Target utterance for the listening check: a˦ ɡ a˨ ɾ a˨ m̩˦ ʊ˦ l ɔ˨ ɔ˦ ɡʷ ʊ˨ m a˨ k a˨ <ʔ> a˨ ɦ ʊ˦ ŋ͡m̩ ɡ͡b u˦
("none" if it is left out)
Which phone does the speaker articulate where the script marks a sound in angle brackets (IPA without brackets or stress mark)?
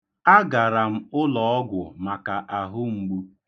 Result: ʔ